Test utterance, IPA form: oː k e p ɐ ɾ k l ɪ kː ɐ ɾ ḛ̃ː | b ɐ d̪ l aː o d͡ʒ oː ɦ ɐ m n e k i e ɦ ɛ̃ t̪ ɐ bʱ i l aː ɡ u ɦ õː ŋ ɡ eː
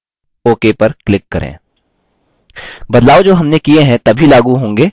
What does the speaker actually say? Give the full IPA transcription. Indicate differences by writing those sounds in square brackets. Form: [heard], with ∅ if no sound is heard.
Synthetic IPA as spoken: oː k e p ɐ ɾ k l ɪ kː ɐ ɾ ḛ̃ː | b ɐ d̪ l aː o d͡ʒ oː ɦ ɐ m n e k i e ɦ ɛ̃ t̪ ɐ bʱ i l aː ɡ u ɦ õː ŋ ɡ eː